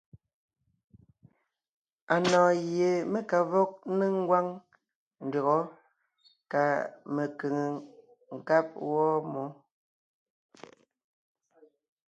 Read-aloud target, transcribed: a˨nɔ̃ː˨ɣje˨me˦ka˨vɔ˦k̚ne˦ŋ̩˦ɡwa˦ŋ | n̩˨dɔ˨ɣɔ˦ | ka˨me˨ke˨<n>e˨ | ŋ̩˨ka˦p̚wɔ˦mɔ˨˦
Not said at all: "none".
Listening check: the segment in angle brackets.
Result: ŋ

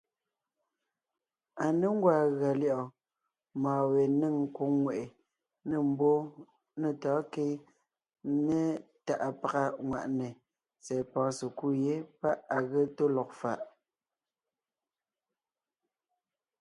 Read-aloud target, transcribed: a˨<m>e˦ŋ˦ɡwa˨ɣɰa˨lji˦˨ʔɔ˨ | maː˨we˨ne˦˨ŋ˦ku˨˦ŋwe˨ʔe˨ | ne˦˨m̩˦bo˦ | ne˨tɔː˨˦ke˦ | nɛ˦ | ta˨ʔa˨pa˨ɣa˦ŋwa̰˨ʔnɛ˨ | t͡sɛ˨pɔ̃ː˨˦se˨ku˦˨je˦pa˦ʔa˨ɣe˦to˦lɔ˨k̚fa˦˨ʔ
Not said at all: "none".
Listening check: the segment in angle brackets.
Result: n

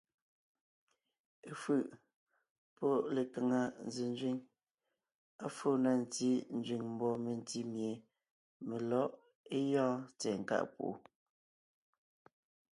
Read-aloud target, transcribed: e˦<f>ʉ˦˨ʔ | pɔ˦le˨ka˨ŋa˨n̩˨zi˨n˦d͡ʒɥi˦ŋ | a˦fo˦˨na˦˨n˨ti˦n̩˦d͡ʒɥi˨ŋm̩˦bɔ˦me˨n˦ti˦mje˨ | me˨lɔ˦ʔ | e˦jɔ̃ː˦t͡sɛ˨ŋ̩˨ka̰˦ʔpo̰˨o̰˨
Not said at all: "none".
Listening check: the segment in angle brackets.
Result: f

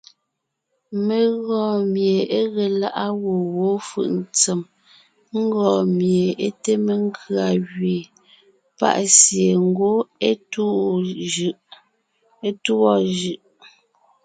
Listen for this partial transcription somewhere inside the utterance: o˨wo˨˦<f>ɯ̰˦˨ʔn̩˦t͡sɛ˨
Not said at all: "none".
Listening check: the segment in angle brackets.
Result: f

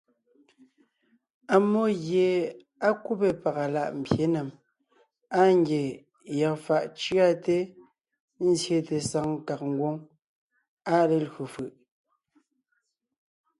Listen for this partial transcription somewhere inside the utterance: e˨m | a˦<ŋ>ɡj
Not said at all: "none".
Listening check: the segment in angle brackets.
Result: ŋ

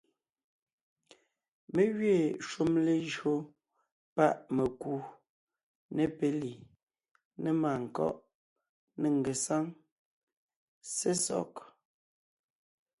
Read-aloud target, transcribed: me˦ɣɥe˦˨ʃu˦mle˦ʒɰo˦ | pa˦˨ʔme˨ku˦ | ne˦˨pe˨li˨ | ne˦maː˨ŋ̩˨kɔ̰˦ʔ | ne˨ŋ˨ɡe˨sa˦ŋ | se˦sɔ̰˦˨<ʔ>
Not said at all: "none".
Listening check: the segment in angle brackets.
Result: k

